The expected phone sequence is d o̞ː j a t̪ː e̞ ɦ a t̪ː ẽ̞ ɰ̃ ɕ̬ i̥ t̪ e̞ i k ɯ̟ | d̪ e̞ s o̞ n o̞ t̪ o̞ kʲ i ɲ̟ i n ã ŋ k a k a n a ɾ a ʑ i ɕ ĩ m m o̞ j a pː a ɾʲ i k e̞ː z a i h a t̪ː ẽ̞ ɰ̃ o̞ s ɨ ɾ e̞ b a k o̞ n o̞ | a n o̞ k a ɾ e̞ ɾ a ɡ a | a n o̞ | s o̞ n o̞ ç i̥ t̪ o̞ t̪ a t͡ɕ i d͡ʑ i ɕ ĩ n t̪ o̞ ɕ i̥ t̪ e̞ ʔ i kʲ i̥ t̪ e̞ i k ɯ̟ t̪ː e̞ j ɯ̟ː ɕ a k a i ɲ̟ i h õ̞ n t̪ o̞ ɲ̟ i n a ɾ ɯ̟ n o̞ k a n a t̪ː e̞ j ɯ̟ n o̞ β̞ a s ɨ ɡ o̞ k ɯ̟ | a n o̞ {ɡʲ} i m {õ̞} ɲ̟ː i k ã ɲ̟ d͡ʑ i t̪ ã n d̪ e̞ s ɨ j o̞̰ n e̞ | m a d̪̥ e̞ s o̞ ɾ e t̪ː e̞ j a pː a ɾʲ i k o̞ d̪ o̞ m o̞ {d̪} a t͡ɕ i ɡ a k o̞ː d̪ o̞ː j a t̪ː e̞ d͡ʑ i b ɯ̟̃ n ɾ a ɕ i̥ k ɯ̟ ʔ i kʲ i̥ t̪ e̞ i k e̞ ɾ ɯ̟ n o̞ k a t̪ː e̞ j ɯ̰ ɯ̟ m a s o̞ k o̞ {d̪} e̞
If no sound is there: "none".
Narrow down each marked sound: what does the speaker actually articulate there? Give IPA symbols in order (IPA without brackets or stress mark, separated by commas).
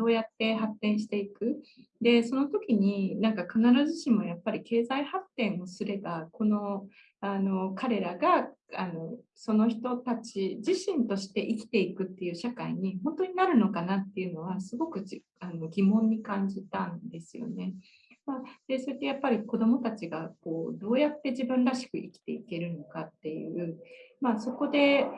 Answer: ɡʲ, õ̞, t̪, d̪